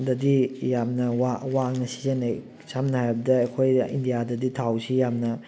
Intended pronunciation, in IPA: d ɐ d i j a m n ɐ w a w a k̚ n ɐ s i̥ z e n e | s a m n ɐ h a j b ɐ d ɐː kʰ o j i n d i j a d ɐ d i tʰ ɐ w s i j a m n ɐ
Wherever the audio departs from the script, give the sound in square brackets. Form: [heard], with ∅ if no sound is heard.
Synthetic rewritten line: d ɐ d i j a m n ɐ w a w a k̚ n ɐ s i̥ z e n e | s a m n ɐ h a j b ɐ d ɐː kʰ o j i n d i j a d ɐ d i tʰ [a] w s i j a m n ɐ